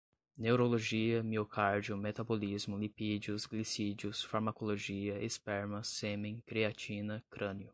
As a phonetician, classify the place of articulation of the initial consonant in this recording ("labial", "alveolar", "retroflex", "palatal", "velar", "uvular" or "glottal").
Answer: alveolar